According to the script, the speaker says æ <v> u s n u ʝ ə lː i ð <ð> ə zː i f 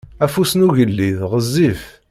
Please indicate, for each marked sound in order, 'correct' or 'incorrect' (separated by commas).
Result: incorrect, incorrect